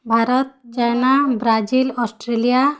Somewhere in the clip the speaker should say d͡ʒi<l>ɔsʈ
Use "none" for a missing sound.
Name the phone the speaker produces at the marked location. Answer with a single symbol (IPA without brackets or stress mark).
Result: l